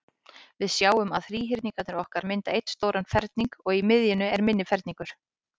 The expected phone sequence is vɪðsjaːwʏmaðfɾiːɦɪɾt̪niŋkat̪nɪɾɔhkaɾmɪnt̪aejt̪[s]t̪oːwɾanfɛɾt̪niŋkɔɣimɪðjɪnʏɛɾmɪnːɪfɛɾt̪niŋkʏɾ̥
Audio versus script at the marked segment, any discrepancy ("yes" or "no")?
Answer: no